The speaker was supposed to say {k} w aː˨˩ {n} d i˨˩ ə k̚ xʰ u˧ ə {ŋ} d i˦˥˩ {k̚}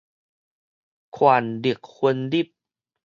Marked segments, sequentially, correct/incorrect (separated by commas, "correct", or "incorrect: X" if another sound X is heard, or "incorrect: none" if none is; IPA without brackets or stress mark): incorrect: kʰ, correct, incorrect: n, incorrect: p̚